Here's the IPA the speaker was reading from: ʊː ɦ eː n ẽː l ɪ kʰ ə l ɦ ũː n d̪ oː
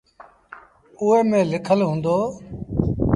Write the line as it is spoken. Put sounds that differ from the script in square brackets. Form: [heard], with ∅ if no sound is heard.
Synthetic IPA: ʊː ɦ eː [m] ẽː l ɪ kʰ ə l ɦ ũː n d̪ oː